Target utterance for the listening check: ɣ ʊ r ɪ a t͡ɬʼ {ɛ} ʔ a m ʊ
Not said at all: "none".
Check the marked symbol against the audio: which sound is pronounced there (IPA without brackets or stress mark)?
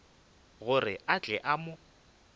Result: ɛ